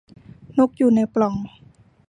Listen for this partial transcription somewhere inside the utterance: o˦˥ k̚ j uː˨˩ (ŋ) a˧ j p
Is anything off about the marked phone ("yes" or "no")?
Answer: yes